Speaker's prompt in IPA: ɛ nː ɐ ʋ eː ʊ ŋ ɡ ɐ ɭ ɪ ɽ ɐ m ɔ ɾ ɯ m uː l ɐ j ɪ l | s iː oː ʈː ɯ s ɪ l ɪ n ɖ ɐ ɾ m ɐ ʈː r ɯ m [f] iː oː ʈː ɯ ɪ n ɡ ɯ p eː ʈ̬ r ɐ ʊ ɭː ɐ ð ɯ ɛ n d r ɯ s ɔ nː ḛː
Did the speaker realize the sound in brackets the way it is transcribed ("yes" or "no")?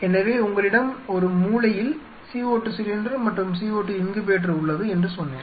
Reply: no